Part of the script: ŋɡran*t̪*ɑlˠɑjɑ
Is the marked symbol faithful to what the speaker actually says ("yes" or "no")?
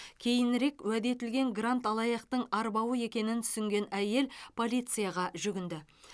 yes